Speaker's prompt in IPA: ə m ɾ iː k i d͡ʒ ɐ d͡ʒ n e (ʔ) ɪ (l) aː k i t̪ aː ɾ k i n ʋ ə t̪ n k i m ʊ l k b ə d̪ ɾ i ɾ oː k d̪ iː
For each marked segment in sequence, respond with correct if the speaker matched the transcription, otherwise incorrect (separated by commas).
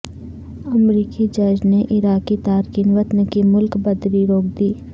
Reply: correct, incorrect